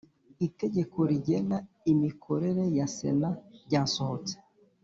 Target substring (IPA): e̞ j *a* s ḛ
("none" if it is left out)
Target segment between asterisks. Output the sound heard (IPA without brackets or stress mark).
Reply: a